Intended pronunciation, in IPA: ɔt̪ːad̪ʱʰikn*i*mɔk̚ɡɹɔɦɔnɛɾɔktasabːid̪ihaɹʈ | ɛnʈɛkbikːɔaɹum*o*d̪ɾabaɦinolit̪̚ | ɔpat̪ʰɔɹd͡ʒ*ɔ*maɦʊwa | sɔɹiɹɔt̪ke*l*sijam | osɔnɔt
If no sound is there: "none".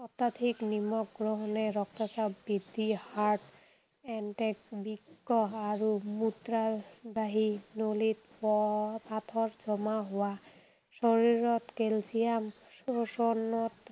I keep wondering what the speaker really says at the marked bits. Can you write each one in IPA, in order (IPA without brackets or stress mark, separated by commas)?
i, u, ɔ, l